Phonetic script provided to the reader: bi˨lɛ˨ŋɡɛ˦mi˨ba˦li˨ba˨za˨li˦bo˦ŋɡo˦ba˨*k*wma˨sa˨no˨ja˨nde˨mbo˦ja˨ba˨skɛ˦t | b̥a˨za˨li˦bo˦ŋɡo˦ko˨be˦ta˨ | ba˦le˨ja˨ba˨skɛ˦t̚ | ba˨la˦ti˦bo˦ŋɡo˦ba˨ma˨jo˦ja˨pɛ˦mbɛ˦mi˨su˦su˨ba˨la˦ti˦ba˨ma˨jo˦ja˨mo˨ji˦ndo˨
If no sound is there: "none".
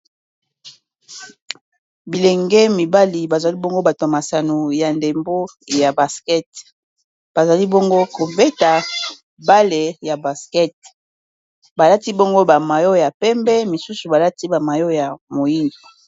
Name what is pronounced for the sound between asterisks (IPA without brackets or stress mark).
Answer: t